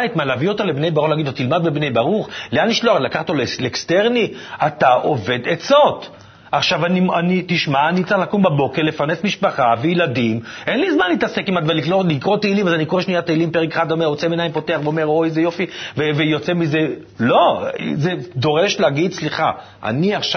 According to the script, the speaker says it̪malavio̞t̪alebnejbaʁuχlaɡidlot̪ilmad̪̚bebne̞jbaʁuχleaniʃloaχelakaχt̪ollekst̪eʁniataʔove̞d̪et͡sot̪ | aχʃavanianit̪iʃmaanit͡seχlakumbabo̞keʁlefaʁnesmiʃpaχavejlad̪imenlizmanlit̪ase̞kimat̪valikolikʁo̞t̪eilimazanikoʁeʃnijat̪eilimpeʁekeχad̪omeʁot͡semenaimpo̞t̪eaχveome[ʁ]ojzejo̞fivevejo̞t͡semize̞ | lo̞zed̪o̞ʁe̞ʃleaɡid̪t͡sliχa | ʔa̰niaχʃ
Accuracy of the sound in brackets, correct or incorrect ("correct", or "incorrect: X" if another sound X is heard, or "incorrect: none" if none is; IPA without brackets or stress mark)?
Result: correct